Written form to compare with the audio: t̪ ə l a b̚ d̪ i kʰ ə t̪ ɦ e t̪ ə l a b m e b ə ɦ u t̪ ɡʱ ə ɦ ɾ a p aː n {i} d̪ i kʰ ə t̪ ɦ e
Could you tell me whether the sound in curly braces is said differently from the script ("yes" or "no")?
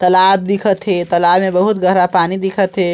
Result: no